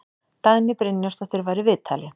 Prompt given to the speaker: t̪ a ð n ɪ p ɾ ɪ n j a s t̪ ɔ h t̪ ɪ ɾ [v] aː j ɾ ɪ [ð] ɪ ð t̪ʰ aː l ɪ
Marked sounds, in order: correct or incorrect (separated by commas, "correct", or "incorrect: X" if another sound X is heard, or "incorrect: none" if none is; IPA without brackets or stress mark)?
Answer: correct, incorrect: v